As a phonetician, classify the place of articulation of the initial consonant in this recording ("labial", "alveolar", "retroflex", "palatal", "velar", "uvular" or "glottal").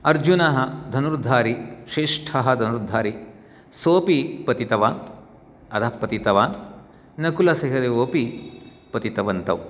alveolar